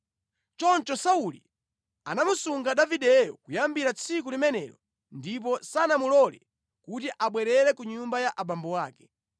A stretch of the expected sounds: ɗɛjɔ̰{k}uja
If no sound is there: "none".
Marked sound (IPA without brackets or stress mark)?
k